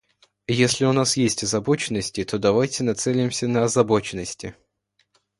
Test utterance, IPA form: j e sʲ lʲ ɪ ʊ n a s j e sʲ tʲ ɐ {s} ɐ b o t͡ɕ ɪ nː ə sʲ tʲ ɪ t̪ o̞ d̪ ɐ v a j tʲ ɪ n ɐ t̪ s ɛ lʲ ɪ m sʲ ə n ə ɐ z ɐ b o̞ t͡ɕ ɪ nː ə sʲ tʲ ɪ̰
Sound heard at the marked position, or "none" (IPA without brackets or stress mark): z